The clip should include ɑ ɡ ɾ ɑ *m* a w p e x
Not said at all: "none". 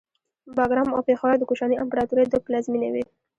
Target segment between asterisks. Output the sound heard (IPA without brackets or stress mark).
m